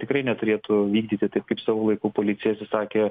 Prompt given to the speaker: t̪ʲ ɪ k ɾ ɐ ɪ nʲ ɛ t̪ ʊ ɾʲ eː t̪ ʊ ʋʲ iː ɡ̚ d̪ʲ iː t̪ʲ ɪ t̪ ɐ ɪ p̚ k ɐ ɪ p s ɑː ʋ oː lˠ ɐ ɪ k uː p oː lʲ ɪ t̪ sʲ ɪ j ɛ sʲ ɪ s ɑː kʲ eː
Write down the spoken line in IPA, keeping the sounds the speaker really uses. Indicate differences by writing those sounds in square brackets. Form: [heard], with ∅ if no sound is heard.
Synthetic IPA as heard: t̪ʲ ɪ k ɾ ɐ ɪ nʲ ɛ t̪ ʊ ɾʲ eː t̪ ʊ ʋʲ iː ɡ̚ d̪ʲ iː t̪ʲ ɪ t̪ ɐ ɪ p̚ k ɐ ɪ p s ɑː ʋ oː lˠ ɐ ɪ k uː p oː lʲ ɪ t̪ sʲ ɪ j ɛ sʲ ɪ s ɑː kʲ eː